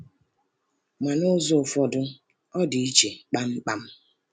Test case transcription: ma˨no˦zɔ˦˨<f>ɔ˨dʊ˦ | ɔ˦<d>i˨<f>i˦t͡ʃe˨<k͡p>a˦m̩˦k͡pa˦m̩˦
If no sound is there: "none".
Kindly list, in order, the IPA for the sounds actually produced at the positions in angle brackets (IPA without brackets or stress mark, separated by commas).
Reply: f, d, none, k͡p